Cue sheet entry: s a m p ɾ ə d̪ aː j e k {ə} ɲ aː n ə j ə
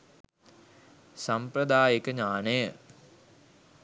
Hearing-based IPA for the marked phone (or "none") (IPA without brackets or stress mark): ə